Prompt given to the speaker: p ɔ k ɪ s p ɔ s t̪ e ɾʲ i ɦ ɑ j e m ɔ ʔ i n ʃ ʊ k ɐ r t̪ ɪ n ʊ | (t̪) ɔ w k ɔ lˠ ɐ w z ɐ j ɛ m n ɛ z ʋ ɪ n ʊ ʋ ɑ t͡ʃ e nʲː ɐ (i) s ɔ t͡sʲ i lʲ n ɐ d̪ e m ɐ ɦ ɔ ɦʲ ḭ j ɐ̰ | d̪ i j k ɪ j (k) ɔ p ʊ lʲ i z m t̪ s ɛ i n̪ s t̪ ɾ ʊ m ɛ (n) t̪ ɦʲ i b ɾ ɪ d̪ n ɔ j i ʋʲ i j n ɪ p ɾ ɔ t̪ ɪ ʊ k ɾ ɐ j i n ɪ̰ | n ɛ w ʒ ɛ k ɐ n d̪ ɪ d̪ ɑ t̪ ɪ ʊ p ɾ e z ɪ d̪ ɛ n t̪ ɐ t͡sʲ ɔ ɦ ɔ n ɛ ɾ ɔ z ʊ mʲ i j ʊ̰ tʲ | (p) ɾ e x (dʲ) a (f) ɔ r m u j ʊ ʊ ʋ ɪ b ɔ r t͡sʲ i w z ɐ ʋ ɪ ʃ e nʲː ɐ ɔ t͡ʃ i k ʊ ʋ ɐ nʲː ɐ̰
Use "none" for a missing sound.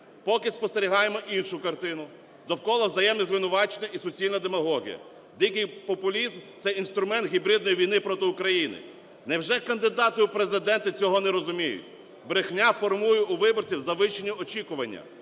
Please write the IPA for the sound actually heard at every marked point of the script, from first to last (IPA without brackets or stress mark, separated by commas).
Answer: d̪, i, p, n, b, nʲ, f